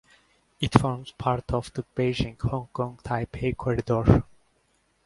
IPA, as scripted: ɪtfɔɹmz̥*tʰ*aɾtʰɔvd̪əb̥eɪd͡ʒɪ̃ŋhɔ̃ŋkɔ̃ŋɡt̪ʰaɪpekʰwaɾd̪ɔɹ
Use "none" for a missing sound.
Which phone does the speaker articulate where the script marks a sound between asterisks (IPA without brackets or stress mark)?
pʰ